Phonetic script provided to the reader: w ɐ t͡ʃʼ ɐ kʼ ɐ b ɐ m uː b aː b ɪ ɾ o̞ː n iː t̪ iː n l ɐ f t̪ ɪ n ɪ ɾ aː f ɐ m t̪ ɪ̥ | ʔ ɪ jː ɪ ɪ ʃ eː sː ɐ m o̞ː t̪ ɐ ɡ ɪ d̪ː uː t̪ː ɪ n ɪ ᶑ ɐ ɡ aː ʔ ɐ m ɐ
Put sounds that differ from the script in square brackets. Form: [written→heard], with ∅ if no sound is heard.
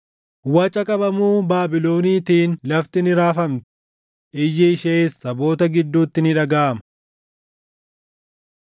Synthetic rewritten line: w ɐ t͡ʃʼ ɐ kʼ ɐ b ɐ m uː b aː b ɪ [ɾ→l] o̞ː n iː t̪ iː n l ɐ f t̪ ɪ n ɪ ɾ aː f ɐ m t̪ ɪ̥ | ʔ ɪ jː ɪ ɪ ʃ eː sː ɐ [m→b] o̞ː t̪ ɐ ɡ ɪ d̪ː uː t̪ː ɪ n ɪ ᶑ ɐ ɡ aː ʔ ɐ m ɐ